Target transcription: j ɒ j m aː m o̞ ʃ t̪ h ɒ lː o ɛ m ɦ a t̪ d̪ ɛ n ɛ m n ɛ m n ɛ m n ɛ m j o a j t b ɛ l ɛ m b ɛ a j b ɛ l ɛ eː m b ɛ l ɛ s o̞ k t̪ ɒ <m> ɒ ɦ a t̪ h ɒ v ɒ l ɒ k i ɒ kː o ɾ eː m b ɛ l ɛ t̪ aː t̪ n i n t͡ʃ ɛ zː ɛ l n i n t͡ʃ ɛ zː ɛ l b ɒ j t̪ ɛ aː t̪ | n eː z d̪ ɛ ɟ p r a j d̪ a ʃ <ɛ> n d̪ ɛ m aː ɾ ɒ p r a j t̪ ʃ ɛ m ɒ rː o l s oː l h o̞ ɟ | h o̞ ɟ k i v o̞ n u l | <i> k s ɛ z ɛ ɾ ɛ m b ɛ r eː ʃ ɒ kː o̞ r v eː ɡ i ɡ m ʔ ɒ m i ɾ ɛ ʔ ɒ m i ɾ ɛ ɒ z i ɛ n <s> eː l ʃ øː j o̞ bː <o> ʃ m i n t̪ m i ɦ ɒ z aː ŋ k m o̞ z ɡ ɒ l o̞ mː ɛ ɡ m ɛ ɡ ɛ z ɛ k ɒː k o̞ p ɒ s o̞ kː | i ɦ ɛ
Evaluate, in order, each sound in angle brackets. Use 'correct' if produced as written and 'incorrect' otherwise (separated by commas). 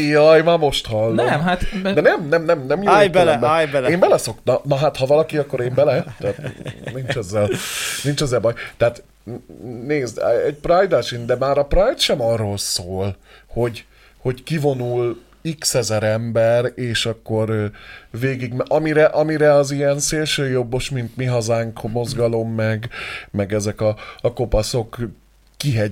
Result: incorrect, incorrect, correct, correct, correct